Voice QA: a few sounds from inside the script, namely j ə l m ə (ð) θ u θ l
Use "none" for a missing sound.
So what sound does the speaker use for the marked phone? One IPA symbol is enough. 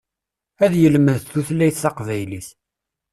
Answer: ð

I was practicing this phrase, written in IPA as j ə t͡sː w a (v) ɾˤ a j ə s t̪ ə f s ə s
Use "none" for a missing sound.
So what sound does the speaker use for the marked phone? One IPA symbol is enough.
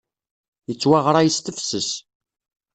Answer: ʁ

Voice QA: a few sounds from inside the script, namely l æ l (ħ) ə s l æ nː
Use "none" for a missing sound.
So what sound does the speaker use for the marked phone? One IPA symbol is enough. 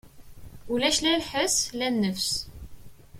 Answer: ħ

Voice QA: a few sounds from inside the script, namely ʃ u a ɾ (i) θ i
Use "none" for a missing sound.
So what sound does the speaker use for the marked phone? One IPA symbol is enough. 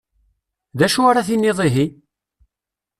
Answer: a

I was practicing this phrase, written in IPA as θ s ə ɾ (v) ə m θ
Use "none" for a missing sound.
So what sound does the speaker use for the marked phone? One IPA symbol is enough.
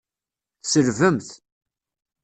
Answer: v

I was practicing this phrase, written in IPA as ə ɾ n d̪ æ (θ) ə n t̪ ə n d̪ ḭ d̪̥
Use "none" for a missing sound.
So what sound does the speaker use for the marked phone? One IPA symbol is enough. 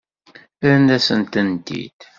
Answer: s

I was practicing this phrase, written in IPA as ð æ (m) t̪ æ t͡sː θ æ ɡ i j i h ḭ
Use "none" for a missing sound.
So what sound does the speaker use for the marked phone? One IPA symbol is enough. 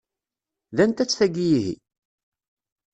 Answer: n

